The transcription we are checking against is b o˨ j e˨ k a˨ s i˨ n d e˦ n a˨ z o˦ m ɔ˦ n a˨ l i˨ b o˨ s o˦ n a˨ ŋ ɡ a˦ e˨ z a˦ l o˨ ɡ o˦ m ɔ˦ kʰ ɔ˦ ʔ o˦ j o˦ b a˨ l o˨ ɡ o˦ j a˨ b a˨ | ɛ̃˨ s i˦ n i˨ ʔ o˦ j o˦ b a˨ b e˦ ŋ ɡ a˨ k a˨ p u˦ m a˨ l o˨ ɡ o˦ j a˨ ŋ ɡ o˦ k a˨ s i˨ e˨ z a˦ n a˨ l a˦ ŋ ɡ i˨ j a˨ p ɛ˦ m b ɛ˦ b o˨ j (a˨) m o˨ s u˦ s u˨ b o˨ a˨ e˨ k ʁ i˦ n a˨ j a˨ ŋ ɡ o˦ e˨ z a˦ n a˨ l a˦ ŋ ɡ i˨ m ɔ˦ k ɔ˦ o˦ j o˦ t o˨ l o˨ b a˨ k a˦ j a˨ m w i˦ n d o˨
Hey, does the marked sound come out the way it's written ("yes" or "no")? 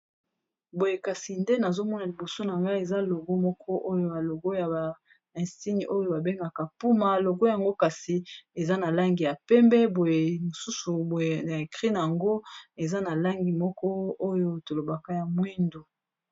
no